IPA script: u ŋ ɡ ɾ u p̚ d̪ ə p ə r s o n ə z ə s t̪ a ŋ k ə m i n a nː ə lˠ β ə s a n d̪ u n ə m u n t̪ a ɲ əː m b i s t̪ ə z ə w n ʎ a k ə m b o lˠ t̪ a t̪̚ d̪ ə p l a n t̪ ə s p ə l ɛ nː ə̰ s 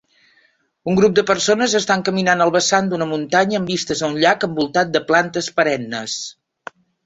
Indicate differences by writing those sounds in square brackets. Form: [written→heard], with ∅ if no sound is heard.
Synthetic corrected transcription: u ŋ ɡ ɾ u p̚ d̪ ə p ə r s o n ə z ə s t̪ a ŋ k ə m i n a [nː→n] ə lˠ β ə s a n d̪ u n ə m u n t̪ a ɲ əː m b i s t̪ ə z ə [w→u] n ʎ a k ə m b [o→u] lˠ t̪ a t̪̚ d̪ ə p l a n t̪ ə s p ə [l→ɾ] ɛ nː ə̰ s